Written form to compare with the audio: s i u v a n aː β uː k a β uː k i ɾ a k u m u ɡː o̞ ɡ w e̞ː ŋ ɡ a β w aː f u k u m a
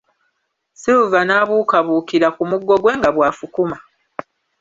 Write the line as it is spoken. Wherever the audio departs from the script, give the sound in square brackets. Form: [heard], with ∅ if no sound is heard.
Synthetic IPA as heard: s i u v a n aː β uː k a β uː k i ɾ a k u m u ɡː o̞ ɡ w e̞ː ŋ ɡ a β w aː f u k u m a

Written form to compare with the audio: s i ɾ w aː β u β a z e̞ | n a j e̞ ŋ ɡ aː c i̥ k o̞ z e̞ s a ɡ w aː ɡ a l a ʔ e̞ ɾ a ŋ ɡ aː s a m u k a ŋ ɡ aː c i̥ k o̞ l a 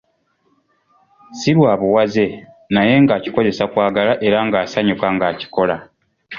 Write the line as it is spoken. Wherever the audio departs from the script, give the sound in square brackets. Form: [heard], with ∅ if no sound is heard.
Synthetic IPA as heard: s i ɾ w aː β u [w] a z e̞ | n a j e̞ ŋ ɡ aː c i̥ k o̞ z e̞ s a [k] w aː ɡ a l a ʔ e̞ ɾ a ŋ ɡ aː s a [ɲ] u k a ŋ ɡ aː c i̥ k o̞ l a

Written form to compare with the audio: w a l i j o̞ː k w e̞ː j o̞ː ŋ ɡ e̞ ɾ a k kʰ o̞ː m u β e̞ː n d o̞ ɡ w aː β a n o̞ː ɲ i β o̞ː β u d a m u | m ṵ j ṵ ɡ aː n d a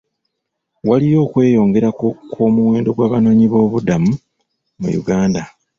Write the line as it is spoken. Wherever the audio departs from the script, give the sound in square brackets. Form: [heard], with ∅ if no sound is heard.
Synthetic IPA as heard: w a l i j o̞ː k w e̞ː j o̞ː ŋ ɡ e̞ ɾ a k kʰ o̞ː m u [w] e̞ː n d o̞ ɡ w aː β a n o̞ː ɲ i β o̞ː β u d a m u | m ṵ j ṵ ɡ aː n d a

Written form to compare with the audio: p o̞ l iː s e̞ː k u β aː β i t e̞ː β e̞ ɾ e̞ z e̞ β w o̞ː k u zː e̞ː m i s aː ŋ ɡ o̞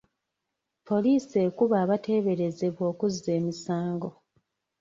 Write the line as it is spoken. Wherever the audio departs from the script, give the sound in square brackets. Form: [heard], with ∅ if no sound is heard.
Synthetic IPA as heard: p o̞ l iː s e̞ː k u β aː β [a] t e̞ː β e̞ ɾ e̞ z e̞ β w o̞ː k u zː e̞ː m i s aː ŋ ɡ o̞

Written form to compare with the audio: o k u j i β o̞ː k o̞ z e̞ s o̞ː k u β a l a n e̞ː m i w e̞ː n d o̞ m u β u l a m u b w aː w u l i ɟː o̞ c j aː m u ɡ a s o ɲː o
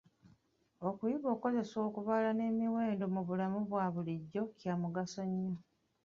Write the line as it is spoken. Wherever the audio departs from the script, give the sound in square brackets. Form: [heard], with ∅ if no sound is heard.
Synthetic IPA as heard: o k u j i β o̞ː k o̞ z e̞ s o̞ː k u β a l a n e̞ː m i w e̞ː n d o̞ m u β u l a m u [β] w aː [β] u l i ɟː o̞ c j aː m u ɡ a s o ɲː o

